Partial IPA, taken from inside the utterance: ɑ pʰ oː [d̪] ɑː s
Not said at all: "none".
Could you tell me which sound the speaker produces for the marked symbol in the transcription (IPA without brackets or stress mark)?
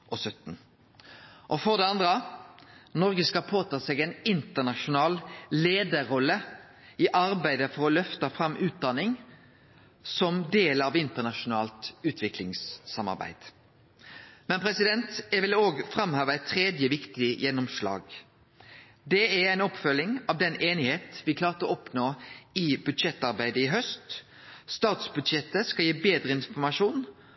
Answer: t̪